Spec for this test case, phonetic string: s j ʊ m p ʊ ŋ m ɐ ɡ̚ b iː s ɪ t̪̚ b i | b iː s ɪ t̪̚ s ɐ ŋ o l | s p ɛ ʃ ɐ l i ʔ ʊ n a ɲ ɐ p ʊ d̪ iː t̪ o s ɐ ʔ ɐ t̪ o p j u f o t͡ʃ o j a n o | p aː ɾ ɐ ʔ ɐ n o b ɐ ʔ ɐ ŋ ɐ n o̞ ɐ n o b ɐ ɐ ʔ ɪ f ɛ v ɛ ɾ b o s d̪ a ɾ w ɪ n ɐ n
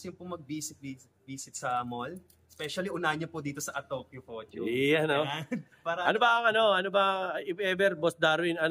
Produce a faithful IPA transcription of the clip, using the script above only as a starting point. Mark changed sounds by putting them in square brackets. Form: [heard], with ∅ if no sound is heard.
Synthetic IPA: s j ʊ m p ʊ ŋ m ɐ ɡ̚ b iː s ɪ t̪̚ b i | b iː s ɪ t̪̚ s ɐ [m] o l | s p ɛ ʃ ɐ l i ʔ ʊ n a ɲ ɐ p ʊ d̪ iː t̪ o s ɐ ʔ ɐ t̪ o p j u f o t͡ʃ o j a n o | p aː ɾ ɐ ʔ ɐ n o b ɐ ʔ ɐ ŋ ɐ n o̞ ɐ n o b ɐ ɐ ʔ ɪ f ɛ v ɛ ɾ b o s d̪ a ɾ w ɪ n ɐ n